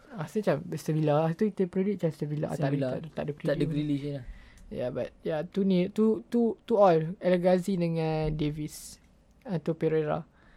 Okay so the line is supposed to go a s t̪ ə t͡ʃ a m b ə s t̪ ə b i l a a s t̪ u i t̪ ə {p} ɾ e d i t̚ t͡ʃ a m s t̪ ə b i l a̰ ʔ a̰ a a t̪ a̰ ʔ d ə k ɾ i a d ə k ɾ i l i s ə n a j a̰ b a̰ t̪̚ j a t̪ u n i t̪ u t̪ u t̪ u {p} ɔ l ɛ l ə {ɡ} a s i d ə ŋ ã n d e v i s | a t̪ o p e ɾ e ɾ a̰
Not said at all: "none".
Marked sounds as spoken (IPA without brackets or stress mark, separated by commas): p, none, ɡ